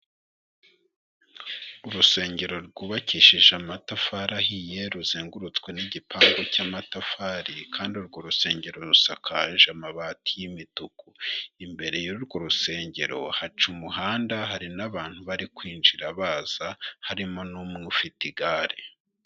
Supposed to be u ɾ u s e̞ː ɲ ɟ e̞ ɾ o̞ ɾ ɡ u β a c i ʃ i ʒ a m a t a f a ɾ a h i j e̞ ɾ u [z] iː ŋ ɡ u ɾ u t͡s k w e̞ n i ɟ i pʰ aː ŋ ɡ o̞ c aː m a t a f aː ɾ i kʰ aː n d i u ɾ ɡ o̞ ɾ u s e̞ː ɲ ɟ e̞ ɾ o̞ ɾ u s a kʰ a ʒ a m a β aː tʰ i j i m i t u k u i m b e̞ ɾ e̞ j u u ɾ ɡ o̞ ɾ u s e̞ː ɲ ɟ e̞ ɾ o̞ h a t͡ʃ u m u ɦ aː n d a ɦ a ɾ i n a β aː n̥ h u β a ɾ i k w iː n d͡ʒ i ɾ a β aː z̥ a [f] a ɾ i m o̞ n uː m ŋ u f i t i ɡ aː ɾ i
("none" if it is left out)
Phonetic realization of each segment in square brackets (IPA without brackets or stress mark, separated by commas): z, h